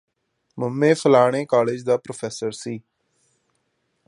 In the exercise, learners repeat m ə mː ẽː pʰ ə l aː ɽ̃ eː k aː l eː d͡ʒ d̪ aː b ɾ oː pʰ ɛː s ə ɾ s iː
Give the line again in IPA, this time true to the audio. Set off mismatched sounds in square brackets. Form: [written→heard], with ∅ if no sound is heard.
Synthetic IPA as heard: m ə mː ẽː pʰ ə l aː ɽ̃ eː k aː l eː d͡ʒ d̪ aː [b→p] ɾ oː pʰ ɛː s ə ɾ s iː

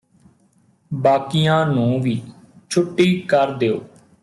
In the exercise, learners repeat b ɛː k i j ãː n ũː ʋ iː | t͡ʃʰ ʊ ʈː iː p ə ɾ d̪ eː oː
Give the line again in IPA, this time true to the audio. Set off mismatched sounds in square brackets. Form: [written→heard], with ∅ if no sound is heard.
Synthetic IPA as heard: b [ɛː→aː] k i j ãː n ũː ʋ iː | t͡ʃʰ ʊ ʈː iː [p→k] ə ɾ d̪ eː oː

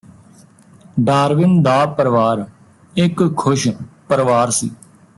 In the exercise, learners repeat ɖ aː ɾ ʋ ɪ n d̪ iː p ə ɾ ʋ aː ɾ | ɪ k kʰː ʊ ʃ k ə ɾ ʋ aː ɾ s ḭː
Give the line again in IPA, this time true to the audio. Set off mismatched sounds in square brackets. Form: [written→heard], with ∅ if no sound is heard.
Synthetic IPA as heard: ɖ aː ɾ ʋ ɪ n d̪ [iː→aː] p ə ɾ ʋ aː ɾ | ɪ k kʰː ʊ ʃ [k→p] ə ɾ ʋ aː ɾ s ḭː

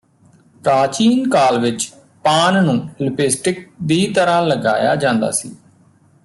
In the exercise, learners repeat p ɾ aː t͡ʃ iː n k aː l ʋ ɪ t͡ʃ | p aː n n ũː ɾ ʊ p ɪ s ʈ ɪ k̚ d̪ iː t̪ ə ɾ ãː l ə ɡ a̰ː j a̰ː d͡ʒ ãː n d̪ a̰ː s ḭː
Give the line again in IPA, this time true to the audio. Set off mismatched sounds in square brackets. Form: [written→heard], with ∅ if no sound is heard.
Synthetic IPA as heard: p ɾ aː t͡ʃ iː n k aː l ʋ ɪ t͡ʃ | p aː n n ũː [ɾ→l] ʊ p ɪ s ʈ ɪ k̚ d̪ iː t̪ ə ɾ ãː l ə ɡ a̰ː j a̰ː d͡ʒ ãː n d̪ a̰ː s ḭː

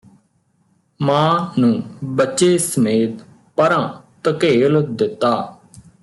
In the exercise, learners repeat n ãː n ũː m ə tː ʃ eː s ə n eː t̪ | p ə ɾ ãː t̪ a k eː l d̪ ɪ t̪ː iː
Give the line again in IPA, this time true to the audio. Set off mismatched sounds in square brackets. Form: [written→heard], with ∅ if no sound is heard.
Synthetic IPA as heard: [n→m] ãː n ũː [m→b] ə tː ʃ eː s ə [n→m] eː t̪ | p ə ɾ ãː t̪ [a→ə] k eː l d̪ ɪ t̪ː [iː→aː]

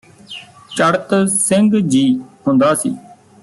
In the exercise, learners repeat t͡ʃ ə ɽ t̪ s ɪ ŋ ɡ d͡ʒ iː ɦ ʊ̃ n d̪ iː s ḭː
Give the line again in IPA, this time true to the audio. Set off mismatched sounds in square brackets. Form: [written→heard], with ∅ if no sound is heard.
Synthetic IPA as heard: t͡ʃ ə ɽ t̪ s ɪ ŋ ɡ d͡ʒ iː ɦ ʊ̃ n d̪ [iː→aː] s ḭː

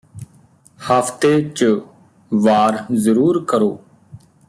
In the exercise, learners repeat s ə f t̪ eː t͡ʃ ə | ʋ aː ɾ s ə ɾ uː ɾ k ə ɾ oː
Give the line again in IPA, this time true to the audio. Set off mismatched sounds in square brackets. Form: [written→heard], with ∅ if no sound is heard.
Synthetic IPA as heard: [s→h] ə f t̪ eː t͡ʃ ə | ʋ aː ɾ [s→z] ə ɾ uː ɾ k ə ɾ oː

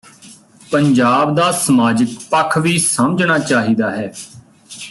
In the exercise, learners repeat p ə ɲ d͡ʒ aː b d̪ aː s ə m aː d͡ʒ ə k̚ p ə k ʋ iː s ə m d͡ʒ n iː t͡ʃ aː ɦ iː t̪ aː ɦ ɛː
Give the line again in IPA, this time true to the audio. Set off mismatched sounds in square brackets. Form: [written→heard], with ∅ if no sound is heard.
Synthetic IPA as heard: p ə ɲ d͡ʒ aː b d̪ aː s ə m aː d͡ʒ ə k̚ p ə [k→kʰ] ʋ iː s ə m d͡ʒ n [iː→aː] t͡ʃ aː ɦ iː [t̪→d̪] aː ɦ ɛː

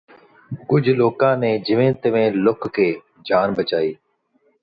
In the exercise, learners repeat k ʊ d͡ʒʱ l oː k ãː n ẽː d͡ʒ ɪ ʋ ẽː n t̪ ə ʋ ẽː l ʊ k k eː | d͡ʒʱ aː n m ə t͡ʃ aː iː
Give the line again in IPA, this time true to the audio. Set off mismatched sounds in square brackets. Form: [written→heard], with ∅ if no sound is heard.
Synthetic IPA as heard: k ʊ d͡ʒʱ l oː k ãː n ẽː d͡ʒ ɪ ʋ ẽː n t̪ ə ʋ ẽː l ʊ k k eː | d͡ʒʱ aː n [m→b] ə t͡ʃ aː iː

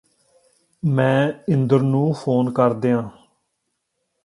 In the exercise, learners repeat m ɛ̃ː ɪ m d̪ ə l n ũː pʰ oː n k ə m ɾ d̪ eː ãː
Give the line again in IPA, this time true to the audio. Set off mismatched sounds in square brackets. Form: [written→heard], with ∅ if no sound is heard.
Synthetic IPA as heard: m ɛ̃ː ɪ [m→n] d̪ ə [l→ɾ] n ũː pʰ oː n k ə [m→∅] ɾ d̪ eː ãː

